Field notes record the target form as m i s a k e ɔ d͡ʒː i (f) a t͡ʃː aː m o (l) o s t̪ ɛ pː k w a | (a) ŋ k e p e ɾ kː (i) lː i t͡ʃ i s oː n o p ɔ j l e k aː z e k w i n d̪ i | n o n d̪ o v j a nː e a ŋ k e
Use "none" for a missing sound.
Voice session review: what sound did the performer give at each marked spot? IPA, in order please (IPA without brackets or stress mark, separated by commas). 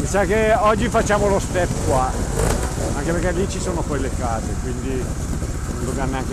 f, l, a, e